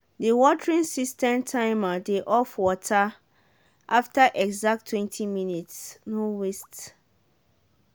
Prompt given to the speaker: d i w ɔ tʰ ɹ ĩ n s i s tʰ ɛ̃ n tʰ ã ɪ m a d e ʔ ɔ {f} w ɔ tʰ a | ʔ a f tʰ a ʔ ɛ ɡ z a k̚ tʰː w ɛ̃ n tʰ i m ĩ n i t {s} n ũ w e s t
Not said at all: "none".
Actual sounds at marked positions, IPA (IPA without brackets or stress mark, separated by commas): f, s